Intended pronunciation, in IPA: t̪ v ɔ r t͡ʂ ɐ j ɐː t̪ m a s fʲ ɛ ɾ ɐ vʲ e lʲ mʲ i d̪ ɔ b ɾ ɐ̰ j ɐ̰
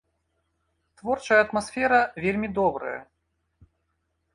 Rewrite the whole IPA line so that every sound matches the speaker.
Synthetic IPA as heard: t̪ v ɔ r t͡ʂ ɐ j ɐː t̪ m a s fʲ ɛ ɾ ɐ vʲ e lʲ mʲ i d̪ ɔ b ɾ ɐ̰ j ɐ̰